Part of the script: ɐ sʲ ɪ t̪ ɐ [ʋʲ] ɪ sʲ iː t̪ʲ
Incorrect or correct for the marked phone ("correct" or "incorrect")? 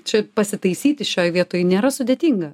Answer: incorrect